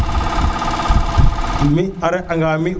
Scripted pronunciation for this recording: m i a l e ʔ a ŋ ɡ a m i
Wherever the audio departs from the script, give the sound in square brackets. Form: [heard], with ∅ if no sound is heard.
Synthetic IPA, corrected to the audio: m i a [ɾ] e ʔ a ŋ ɡ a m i